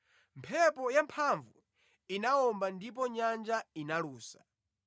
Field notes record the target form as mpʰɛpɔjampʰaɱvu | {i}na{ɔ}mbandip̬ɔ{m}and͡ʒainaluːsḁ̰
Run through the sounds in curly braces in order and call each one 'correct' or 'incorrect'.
correct, correct, incorrect: ɲ

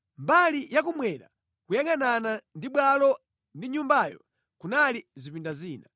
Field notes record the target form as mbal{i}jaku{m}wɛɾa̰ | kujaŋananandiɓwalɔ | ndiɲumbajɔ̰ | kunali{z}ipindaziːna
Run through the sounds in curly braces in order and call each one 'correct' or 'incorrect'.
correct, correct, correct

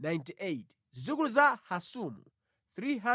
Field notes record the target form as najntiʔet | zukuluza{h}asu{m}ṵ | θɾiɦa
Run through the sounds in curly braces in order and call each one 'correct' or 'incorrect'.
correct, correct

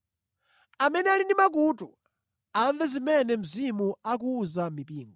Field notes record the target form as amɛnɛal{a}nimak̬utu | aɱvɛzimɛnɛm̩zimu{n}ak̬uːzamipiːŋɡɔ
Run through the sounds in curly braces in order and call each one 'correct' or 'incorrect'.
incorrect: i, incorrect: none

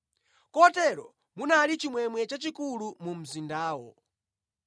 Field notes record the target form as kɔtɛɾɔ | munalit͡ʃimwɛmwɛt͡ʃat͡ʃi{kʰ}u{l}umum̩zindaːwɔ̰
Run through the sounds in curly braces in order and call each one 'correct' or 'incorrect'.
incorrect: k, correct

